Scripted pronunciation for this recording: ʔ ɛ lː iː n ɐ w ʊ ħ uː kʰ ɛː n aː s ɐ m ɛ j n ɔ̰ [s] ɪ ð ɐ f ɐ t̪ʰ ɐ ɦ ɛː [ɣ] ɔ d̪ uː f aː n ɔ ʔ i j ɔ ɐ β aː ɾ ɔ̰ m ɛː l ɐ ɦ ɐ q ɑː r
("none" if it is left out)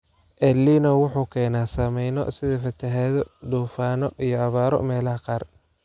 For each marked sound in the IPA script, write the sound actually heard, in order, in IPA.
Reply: s, ð

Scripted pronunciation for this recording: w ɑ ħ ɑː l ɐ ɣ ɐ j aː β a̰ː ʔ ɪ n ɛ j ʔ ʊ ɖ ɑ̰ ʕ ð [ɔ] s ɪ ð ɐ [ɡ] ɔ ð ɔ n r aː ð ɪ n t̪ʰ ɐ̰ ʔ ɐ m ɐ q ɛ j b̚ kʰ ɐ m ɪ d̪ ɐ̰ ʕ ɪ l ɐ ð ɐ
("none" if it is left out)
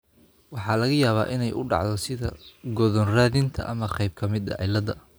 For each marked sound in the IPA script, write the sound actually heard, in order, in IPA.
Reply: ɔ, ɡ

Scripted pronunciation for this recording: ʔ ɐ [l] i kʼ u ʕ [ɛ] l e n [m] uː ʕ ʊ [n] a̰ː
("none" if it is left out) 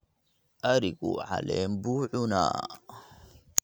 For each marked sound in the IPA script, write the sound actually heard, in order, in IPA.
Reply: ɾ, a, b, n

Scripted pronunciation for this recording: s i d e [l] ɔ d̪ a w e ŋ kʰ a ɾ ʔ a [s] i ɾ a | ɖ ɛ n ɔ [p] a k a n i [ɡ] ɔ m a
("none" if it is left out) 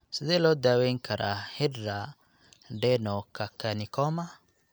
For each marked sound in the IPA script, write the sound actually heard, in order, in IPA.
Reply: l, h, k, k

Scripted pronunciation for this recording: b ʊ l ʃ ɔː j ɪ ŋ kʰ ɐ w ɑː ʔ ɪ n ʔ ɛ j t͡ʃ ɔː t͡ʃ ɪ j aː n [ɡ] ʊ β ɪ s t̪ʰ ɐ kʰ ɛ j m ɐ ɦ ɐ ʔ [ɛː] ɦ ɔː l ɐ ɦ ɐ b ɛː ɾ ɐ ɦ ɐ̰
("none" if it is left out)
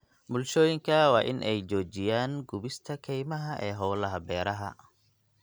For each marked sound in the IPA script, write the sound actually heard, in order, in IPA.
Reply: ɡ, ɛː

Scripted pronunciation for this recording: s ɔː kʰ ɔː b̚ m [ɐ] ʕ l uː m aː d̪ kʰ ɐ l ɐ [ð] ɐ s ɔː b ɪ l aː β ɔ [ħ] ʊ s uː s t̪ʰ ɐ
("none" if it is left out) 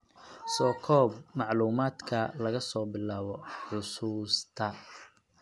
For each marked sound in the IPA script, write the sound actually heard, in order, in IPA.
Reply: ɑ, ɣ, ħ

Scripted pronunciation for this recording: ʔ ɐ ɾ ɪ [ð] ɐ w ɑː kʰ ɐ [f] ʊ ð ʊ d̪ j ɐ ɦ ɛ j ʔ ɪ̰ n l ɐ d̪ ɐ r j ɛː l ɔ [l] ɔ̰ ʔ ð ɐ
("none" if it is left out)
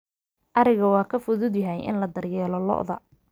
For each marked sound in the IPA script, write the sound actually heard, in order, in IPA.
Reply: ɣ, f, l

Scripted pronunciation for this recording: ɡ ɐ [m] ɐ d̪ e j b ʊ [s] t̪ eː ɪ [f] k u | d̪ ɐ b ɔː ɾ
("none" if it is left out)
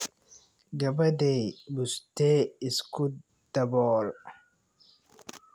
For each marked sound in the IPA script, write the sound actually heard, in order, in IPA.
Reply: b, s, s

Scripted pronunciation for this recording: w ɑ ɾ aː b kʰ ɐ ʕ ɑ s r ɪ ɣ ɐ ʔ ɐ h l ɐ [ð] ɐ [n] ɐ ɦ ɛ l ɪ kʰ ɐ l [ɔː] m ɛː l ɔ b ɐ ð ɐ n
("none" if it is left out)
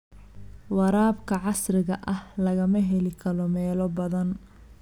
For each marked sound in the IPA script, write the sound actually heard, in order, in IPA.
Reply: ɣ, m, ɔ

